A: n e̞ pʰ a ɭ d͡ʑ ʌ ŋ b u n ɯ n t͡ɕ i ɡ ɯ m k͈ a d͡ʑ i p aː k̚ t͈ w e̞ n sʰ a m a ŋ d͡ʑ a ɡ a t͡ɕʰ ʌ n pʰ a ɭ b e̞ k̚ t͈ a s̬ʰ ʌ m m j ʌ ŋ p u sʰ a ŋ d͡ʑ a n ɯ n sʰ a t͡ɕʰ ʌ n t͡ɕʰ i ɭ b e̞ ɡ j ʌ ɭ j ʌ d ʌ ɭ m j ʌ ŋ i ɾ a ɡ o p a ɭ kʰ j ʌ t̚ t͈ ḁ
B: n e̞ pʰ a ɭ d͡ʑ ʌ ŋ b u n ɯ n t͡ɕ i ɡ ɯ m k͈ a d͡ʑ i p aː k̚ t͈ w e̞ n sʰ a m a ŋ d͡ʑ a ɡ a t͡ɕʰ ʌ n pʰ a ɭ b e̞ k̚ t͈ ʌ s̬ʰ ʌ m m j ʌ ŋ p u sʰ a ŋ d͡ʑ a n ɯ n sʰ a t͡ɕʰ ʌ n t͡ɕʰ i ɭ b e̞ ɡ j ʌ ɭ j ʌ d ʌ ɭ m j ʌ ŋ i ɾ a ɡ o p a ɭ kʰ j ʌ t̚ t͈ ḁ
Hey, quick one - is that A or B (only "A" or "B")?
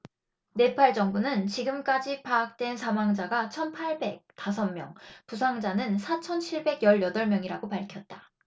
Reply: A